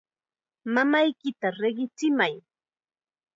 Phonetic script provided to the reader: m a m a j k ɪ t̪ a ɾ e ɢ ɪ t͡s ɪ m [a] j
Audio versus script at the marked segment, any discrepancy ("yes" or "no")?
no